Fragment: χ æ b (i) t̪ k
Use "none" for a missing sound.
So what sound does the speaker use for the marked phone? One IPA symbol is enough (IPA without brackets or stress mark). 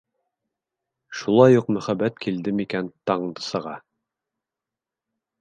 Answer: æ